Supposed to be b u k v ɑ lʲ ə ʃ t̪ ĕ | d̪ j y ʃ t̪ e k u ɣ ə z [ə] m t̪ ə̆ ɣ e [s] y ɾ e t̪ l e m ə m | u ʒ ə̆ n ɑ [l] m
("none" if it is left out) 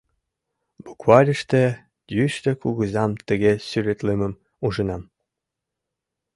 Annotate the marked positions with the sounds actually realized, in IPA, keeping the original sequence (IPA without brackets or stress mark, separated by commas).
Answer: ɑ, s, none